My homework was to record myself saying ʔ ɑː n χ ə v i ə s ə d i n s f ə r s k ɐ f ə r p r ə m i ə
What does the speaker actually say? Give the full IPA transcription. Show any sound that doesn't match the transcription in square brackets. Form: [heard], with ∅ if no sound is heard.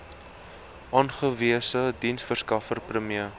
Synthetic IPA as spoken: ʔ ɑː n χ ə v i ə s ə d i n s f ə r s k ɐ f ə r p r ə m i ə